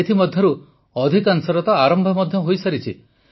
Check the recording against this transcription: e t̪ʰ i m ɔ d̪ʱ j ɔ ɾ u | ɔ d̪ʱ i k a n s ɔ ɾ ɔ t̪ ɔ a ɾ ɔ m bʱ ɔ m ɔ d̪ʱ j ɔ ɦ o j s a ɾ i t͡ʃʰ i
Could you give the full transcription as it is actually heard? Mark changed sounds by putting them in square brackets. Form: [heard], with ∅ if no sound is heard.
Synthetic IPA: e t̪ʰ i m ɔ d̪ʱ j ɔ ɾ u | ɔ d̪ʱ i k a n s ɔ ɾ ɔ t̪ ɔ a ɾ ɔ m bʱ ɔ m ɔ d̪ʱ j ɔ ɦ o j s a ɾ i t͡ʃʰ i